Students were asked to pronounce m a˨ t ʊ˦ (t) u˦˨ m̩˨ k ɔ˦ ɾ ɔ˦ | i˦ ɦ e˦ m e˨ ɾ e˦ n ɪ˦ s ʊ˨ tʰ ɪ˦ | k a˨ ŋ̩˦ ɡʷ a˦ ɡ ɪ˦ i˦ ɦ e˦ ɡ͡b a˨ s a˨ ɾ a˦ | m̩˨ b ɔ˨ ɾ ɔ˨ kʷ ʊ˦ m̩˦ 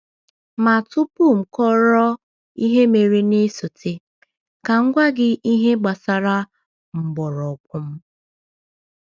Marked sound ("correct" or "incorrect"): incorrect